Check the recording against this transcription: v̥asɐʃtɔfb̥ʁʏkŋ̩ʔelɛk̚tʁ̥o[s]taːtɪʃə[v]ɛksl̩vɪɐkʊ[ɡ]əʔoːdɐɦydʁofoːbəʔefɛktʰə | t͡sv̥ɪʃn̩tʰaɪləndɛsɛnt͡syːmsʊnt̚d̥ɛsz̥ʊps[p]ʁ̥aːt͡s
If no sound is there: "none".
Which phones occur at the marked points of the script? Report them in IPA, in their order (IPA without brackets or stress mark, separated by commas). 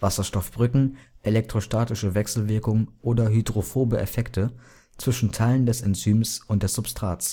ʃ, v, ŋ, t